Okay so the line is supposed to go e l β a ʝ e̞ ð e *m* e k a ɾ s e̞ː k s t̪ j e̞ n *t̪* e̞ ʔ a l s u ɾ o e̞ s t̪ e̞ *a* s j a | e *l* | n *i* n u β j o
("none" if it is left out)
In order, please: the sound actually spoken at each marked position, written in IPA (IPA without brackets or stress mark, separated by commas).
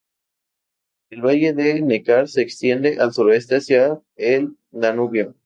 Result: n, d̪, a, l, a